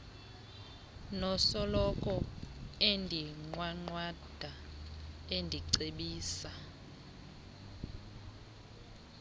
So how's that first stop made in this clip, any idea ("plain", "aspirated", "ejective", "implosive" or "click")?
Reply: ejective